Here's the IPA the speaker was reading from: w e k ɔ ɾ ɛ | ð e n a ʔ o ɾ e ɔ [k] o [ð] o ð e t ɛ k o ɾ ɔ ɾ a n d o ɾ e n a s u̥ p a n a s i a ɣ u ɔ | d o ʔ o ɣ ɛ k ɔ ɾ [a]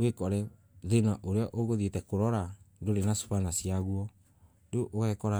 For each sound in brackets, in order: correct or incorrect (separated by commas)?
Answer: incorrect, incorrect, correct